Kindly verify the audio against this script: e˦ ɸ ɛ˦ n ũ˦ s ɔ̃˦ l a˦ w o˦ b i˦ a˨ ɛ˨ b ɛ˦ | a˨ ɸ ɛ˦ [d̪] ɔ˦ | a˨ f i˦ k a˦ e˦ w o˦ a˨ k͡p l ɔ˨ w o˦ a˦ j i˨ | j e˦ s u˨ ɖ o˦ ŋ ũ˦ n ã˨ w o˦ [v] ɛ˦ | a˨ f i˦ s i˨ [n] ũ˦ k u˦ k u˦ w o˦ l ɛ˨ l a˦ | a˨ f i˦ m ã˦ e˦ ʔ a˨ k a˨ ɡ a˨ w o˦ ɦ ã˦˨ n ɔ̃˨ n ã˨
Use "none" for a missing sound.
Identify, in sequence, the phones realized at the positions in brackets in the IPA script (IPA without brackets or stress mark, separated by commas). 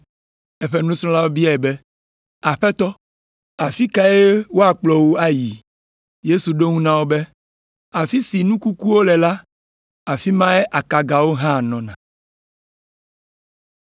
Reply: t̪, b, n